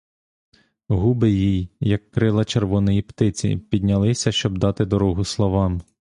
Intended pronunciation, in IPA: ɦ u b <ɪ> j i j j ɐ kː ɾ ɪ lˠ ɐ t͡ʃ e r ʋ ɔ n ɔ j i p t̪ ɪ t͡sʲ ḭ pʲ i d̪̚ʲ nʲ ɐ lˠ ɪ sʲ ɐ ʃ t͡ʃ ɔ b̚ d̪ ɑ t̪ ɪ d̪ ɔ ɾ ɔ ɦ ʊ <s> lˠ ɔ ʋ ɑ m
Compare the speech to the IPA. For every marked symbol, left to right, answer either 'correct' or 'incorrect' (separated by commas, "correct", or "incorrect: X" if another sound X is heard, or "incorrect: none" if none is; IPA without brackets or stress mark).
correct, correct